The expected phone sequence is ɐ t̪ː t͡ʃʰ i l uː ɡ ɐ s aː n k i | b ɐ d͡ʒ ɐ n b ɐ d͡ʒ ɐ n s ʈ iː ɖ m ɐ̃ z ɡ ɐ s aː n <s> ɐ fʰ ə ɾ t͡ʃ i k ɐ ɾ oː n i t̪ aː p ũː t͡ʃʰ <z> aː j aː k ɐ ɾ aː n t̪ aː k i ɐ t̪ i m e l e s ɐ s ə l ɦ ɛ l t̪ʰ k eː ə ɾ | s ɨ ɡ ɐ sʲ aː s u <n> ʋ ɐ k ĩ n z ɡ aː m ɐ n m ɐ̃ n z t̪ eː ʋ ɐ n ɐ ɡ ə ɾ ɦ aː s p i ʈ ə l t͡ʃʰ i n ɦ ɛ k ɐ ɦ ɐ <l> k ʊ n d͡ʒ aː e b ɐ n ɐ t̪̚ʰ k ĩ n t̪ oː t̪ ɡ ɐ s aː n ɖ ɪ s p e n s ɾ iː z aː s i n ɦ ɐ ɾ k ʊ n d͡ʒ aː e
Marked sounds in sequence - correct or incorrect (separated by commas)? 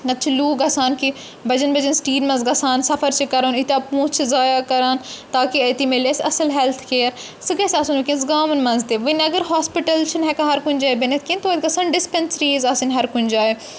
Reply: correct, correct, correct, incorrect